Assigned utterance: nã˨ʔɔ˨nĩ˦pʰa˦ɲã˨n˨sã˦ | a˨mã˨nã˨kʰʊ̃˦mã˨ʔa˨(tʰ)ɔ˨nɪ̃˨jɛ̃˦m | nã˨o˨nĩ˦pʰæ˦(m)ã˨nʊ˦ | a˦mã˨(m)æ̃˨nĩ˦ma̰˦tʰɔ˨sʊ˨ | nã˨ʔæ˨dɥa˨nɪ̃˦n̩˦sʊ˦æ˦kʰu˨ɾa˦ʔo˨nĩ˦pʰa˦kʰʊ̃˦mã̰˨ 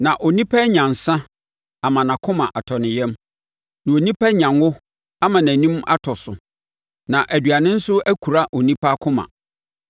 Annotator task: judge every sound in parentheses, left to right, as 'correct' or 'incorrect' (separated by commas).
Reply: correct, incorrect, incorrect